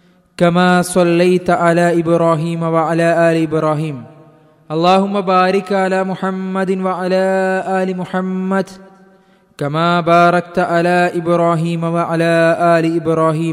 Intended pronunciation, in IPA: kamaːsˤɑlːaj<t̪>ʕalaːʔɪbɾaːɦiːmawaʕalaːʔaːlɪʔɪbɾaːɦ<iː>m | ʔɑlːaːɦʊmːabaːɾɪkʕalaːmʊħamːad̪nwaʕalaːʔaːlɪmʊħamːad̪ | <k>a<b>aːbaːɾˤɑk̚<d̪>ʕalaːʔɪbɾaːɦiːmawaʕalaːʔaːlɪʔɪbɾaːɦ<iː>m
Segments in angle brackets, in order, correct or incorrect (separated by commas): correct, correct, correct, incorrect, incorrect, correct